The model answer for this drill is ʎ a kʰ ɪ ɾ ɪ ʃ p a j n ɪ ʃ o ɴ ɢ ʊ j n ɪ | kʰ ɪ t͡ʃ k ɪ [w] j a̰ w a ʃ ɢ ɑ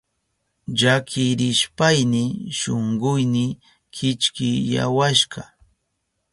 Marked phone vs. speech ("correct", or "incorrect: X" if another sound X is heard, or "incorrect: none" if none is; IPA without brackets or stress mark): incorrect: none